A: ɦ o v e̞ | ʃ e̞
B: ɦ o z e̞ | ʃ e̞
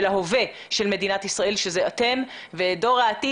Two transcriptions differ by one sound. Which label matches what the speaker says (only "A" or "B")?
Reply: A